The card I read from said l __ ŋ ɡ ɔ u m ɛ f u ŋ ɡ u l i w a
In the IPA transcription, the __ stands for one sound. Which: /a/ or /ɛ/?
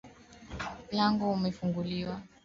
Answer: a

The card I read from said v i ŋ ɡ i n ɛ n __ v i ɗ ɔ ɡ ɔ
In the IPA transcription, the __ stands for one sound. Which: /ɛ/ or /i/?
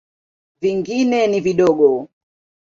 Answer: i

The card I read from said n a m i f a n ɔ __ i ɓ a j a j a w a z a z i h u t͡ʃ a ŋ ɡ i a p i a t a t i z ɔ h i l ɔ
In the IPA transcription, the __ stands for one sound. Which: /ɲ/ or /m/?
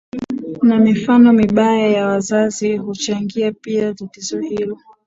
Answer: m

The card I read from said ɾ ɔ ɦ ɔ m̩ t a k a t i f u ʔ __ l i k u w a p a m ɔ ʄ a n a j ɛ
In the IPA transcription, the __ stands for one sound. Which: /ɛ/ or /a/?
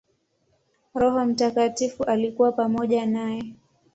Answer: a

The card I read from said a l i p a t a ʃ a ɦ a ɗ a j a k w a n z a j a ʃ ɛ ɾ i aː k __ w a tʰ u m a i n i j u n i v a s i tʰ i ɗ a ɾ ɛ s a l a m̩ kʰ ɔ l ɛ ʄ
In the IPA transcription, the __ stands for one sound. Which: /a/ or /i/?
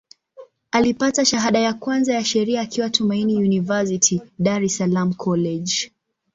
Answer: i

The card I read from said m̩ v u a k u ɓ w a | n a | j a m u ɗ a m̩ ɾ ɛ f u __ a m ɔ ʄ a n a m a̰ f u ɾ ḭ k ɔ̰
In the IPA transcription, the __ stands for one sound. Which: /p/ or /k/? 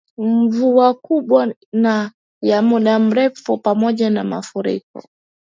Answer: p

